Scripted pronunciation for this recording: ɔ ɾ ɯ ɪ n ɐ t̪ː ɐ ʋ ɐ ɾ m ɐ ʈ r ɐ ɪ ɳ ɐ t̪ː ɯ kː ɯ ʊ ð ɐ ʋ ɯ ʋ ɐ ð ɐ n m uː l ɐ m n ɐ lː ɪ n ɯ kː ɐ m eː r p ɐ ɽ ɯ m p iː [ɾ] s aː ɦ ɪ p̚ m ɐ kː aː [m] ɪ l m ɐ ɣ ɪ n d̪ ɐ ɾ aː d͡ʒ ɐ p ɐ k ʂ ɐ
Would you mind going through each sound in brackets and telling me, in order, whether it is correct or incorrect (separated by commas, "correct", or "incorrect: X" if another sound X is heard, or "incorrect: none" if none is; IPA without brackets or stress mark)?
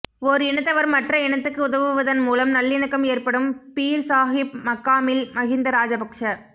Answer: correct, correct